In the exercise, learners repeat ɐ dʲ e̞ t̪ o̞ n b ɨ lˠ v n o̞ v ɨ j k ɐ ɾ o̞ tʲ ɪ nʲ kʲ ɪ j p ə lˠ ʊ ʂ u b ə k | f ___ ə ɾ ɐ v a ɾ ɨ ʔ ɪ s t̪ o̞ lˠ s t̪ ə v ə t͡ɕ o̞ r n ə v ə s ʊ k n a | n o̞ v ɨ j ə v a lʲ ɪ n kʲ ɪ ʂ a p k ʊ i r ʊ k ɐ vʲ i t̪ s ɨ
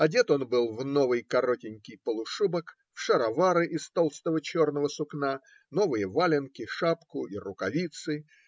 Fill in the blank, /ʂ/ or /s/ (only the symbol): ʂ